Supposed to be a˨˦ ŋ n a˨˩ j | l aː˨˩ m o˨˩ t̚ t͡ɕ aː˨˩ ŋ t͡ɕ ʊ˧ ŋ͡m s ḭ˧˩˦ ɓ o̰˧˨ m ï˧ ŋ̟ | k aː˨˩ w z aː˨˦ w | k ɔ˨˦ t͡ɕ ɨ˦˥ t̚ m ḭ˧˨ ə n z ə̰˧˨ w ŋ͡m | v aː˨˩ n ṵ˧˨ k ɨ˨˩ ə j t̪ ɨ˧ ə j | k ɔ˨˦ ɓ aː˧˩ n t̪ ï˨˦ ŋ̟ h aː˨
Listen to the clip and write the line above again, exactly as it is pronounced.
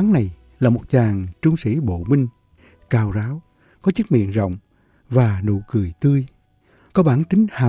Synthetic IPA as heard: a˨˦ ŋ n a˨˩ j | l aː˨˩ m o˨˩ t̚ t͡ɕ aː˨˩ ŋ t͡ɕ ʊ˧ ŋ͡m s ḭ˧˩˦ ɓ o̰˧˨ m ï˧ ŋ̟ | k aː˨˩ w z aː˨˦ w | k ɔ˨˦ t͡ɕ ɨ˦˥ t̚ m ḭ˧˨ ə n z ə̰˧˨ w ŋ͡m | v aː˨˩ n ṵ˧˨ k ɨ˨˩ ə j t̪ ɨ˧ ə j | k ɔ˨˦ ɓ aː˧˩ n t̪ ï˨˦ ŋ̟ h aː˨